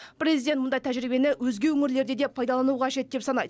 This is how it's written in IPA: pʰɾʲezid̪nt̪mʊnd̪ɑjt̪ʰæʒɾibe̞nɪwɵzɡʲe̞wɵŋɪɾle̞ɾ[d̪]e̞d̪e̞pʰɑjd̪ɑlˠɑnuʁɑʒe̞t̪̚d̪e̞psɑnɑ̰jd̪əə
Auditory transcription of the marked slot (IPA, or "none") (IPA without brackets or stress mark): d̪